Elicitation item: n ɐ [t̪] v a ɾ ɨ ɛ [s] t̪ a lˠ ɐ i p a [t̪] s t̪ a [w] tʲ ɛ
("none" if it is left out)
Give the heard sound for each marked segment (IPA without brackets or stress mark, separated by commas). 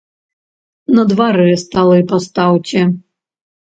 d̪, s, none, w